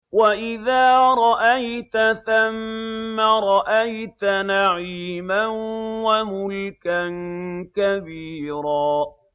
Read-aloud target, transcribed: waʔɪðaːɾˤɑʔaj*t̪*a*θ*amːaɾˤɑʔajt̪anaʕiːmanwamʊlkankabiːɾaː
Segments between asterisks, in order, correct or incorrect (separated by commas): correct, correct